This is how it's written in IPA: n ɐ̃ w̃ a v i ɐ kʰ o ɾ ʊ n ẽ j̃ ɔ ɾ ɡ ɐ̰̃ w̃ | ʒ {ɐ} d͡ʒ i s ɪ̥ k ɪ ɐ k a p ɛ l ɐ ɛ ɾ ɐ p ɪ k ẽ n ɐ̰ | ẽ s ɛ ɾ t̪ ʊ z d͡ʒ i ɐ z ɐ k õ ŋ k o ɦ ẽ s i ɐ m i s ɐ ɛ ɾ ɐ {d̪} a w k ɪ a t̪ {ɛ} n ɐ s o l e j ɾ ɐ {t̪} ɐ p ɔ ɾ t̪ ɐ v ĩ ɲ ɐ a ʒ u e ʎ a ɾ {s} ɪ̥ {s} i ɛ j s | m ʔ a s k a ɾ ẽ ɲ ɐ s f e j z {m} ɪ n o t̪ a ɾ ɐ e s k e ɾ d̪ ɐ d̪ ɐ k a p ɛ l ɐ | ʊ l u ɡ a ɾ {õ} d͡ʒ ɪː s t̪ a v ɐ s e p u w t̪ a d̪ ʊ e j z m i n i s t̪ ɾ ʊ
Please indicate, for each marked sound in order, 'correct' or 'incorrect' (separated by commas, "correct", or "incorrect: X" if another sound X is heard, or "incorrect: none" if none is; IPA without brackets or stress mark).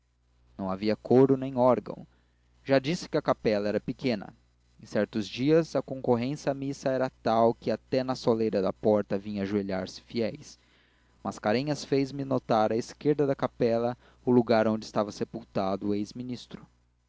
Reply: incorrect: a, incorrect: t̪, correct, incorrect: d̪, correct, incorrect: f, correct, correct